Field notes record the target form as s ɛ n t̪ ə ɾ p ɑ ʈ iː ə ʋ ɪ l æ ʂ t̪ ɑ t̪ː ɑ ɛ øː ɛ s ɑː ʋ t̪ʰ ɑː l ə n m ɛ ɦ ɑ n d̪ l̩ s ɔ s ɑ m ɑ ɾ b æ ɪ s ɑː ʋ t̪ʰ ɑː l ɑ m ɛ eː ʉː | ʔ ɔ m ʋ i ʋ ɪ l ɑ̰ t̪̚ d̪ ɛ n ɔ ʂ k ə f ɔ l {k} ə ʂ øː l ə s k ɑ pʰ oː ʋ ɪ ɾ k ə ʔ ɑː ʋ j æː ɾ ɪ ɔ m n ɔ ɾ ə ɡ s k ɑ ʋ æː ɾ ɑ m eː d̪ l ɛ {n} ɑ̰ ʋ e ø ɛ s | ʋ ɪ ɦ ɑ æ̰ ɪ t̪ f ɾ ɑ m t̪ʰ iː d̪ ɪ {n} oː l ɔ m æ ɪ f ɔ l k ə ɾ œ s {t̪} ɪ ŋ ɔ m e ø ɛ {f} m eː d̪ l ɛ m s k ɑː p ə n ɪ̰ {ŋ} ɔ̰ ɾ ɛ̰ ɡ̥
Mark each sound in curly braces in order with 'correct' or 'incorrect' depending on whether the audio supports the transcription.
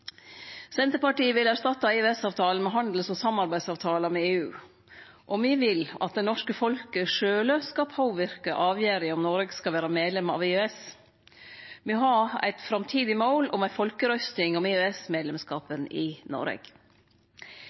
correct, incorrect, incorrect, correct, incorrect, incorrect

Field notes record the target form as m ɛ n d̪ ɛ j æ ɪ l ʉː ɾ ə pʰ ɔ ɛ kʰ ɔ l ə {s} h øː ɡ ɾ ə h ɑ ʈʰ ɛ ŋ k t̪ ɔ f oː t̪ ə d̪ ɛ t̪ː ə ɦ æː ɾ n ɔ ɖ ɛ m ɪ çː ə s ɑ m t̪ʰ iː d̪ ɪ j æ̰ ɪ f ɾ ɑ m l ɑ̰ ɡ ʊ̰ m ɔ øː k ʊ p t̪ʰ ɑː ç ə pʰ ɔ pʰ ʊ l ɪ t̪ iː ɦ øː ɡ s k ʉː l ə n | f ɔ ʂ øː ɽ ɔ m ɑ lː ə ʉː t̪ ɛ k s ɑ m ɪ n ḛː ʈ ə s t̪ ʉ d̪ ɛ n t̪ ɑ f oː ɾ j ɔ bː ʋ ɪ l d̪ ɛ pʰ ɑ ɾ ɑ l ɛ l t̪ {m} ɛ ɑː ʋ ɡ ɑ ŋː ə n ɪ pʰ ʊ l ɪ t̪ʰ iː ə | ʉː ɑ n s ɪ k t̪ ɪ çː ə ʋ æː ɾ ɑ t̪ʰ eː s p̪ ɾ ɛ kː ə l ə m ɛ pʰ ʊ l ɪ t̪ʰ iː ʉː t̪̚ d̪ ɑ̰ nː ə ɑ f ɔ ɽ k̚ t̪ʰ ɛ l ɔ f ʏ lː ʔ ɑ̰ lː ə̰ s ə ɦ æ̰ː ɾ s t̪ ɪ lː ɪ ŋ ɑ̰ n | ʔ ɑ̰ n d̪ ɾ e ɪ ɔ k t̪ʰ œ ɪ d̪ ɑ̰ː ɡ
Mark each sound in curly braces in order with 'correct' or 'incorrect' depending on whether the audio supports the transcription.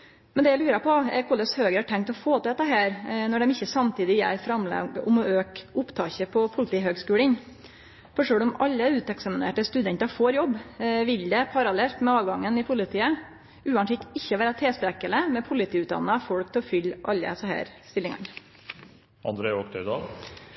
correct, correct

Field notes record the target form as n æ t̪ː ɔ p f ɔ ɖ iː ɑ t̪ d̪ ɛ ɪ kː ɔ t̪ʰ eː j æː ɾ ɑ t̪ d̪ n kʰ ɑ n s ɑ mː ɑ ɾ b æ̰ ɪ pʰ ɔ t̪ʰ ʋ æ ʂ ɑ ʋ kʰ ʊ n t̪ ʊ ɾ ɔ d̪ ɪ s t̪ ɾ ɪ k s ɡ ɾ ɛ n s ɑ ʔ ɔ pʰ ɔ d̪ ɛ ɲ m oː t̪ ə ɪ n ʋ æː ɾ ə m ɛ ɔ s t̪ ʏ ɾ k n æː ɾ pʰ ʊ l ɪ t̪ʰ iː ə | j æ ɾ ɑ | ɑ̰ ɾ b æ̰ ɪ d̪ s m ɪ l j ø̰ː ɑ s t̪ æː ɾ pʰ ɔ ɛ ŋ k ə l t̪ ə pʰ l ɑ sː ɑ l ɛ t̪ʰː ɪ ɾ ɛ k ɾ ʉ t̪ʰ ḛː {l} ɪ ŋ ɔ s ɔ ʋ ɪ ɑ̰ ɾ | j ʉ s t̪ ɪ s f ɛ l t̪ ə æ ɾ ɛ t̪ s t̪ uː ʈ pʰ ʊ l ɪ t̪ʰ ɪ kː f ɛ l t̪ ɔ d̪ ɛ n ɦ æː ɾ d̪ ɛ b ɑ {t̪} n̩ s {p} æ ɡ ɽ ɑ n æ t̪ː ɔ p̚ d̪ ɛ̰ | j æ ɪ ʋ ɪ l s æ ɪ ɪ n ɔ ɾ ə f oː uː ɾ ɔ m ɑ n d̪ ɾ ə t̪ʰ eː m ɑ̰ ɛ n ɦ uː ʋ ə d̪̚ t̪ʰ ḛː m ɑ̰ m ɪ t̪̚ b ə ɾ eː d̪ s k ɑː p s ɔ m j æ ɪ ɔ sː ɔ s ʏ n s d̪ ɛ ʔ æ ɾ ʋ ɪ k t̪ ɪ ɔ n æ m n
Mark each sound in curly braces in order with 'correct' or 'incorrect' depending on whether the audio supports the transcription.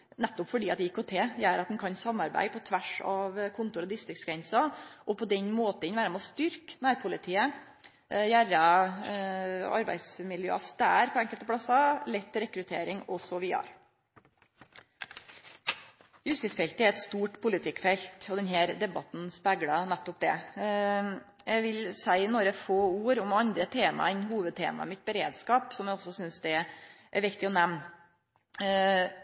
incorrect, correct, correct

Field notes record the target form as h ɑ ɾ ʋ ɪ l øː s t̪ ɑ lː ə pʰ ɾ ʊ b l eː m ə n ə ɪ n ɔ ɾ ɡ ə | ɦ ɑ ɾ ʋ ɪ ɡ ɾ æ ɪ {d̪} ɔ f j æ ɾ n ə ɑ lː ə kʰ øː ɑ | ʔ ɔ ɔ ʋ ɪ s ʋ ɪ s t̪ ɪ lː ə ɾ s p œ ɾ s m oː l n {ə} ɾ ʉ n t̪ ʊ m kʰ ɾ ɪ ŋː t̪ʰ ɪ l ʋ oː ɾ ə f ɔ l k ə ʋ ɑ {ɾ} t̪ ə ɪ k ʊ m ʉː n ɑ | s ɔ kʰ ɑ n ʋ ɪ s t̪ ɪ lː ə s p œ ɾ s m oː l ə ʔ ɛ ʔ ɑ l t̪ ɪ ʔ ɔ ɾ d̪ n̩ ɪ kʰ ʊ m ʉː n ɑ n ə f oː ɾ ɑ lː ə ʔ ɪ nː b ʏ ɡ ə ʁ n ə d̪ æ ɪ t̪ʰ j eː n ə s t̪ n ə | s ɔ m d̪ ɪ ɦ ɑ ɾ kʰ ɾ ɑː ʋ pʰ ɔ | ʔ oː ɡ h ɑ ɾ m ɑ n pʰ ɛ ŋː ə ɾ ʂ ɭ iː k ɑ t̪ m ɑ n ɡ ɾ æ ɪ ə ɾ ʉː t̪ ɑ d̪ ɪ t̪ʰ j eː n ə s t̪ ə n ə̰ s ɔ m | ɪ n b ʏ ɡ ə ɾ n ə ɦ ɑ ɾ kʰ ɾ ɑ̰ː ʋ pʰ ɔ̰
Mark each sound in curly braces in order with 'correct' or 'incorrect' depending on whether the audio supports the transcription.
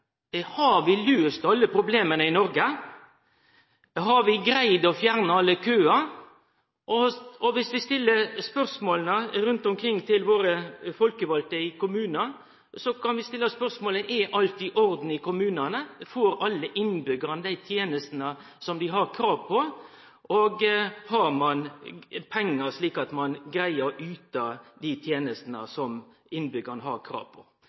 correct, correct, incorrect

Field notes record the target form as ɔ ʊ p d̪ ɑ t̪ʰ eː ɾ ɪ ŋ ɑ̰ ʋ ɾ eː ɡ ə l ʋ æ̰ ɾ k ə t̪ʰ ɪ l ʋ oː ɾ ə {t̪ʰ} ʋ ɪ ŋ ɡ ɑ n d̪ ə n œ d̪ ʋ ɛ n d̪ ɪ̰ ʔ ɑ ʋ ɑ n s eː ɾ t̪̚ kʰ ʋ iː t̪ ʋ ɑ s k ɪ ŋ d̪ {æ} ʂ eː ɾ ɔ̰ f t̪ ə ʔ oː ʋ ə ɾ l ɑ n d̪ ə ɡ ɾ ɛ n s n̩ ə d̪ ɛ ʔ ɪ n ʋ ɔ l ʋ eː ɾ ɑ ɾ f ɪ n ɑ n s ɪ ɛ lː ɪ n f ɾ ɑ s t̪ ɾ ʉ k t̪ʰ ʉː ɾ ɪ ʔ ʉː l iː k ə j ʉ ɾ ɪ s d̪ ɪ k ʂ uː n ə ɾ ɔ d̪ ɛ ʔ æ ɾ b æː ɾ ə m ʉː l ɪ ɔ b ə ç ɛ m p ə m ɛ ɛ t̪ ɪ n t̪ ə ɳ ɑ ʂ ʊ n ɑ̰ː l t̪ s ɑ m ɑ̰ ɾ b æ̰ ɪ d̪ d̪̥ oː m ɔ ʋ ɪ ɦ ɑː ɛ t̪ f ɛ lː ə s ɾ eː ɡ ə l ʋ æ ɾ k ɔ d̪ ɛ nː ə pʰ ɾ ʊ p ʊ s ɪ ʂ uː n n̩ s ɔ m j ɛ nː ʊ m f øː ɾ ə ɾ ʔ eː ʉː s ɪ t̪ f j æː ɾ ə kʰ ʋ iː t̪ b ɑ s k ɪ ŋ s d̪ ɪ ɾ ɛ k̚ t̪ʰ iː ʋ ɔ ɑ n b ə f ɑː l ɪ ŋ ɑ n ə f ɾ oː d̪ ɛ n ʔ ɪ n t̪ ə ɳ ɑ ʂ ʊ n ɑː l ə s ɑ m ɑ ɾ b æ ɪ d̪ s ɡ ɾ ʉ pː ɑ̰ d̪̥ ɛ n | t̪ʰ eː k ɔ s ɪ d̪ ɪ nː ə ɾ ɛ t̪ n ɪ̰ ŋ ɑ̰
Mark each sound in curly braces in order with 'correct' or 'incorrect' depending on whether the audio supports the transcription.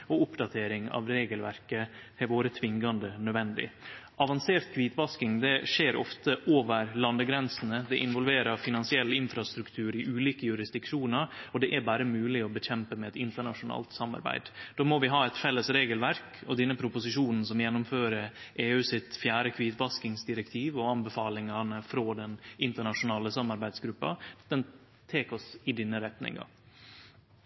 correct, incorrect

